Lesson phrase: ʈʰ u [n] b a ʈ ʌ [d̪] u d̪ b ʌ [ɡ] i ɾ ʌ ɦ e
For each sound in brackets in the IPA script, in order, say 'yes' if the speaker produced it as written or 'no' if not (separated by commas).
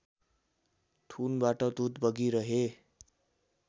yes, yes, yes